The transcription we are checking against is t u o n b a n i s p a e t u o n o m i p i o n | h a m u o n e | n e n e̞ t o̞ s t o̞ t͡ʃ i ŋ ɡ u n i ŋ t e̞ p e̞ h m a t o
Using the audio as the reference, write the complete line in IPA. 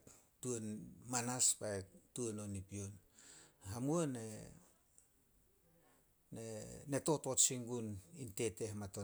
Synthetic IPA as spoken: t u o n m a n a s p a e t u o n o n i p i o n | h a m u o n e | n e n e̞ t o̞ t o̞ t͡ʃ i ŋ ɡ u n i n t e̞ t e̞ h m a t o